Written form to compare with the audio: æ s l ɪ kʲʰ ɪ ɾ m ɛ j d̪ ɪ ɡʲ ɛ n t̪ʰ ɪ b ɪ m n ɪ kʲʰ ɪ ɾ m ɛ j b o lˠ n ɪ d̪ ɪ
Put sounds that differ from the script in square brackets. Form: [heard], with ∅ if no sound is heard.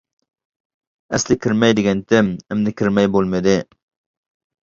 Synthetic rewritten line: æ s l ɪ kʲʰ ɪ ɾ m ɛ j d̪ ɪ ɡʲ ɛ n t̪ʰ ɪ [m] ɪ m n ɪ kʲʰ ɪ ɾ m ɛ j b o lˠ [m] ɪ d̪ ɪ